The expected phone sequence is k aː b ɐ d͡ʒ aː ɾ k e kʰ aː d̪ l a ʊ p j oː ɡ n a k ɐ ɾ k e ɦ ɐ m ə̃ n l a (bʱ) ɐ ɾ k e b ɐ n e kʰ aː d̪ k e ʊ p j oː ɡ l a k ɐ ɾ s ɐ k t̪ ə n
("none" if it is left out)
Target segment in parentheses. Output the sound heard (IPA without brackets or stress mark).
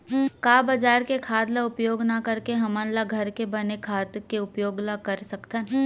ɡʱ